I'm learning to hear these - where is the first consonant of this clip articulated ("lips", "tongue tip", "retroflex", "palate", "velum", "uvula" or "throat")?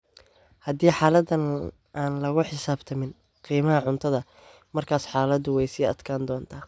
throat